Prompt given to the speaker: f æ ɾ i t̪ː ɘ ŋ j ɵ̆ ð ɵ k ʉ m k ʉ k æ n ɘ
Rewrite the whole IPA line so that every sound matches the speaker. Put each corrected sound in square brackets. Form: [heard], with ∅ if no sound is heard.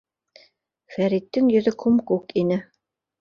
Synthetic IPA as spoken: f æ ɾ i t̪ː ɘ ŋ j ɵ̆ ð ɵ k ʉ m k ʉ k [i] n ɘ

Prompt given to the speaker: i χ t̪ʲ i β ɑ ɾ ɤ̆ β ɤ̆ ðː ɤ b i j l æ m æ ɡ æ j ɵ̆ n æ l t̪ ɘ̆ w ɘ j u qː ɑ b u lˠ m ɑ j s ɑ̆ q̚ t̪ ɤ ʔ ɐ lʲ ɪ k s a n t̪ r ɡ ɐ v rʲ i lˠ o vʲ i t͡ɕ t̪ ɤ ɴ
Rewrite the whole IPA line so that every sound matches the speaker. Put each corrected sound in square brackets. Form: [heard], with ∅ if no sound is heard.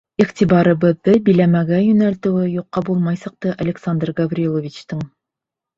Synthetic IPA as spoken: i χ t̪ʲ i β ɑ ɾ ɤ̆ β ɤ̆ ðː ɤ b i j l æ m æ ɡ æ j ɵ̆ n æ l t̪ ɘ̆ w ɘ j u qː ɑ b u lˠ m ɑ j s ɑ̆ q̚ t̪ ɤ ʔ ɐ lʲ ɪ k s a n [d̪] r ɡ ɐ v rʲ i lˠ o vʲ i t͡ɕ t̪ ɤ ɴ

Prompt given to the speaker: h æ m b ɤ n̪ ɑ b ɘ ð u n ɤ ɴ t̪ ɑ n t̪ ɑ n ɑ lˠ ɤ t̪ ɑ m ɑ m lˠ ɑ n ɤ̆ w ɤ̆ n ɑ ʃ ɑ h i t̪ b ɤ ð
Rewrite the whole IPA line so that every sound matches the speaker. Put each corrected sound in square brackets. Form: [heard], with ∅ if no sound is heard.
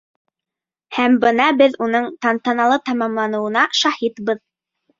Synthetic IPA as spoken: h æ m b ɤ n̪ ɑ b ɘ ð u n ɤ ɴ t̪ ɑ n t̪ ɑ n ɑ lˠ ɤ t̪ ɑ m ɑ m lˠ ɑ n ɤ̆ w ɤ̆ n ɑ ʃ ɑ h i t̪ b ɤ ð

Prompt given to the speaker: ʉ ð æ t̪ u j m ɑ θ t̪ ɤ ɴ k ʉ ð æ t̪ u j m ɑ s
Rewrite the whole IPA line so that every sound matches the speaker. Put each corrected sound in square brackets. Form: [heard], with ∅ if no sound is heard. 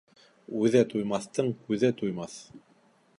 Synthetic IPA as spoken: ʉ ð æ t̪ u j m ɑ θ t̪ ɤ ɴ k ʉ ð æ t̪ u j m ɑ [θ]

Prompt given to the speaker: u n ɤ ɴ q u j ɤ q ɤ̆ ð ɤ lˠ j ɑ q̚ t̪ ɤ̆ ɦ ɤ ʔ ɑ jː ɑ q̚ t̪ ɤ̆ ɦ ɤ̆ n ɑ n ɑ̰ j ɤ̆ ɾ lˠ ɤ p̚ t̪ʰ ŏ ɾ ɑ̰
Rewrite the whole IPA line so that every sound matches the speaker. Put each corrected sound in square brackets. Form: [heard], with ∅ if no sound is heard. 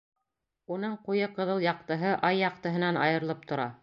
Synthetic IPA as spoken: u n ɤ ɴ q u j ɤ q ɤ̆ ð ɤ lˠ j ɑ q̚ t̪ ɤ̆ ɦ ɤ ʔ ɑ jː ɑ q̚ t̪ ɤ̆ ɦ ɤ̆ n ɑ n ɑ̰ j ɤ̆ ɾ lˠ ɤ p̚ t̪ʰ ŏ ɾ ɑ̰

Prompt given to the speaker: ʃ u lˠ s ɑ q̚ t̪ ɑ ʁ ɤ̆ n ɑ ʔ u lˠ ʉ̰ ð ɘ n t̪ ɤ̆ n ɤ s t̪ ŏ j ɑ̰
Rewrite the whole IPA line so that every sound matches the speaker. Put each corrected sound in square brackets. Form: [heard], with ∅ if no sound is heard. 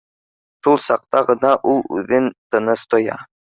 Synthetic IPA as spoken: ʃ u lˠ s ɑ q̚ t̪ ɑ ʁ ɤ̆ n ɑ ʔ u lˠ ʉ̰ ð ɘ n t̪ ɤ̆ n ɤ s t̪ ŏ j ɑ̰

